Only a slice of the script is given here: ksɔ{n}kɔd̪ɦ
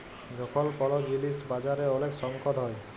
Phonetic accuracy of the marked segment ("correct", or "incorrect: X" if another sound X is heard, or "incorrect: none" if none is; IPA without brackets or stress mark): incorrect: ŋ